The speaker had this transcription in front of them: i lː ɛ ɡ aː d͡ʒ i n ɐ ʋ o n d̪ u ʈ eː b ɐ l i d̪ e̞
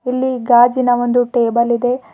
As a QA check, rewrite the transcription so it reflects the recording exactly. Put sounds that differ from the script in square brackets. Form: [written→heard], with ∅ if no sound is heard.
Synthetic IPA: i lː [ɛ→i] ɡ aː d͡ʒ i n ɐ ʋ o n d̪ u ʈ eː b ɐ l i d̪ e̞